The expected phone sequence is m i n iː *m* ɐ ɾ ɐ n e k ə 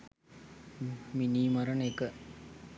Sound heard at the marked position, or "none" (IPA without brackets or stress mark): m